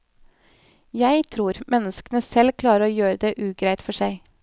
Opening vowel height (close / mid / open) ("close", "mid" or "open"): open